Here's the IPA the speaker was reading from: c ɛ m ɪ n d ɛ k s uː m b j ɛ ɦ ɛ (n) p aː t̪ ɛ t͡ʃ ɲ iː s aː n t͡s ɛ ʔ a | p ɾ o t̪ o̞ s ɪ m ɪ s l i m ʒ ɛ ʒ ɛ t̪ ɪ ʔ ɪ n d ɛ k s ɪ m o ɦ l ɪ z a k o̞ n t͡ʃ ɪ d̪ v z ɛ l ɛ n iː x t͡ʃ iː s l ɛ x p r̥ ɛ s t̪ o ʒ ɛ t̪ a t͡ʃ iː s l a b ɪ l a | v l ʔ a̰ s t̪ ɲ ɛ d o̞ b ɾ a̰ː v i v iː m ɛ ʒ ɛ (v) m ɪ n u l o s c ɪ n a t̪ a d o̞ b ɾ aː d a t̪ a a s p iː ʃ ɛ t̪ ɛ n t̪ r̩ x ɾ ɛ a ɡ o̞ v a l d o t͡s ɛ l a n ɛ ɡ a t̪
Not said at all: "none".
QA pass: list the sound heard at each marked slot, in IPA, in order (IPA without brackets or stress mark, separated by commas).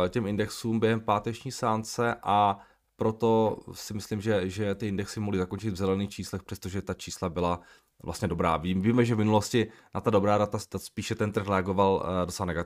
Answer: m, v